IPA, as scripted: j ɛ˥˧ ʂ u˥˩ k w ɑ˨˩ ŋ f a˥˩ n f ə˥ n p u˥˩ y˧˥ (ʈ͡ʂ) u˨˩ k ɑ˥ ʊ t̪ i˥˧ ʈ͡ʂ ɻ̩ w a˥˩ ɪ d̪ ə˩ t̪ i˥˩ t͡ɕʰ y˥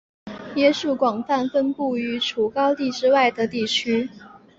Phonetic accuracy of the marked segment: incorrect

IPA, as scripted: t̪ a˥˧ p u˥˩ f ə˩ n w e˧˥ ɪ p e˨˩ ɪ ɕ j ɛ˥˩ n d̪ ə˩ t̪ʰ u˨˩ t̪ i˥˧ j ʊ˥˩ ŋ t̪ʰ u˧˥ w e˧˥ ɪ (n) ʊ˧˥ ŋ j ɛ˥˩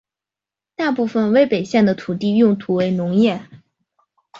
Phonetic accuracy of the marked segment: correct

